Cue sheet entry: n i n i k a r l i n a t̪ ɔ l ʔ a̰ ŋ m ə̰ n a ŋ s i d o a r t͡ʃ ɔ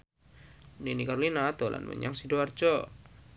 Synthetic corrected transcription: n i n i k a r l i n a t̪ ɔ l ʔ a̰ n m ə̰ ɲ a ŋ s i d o a r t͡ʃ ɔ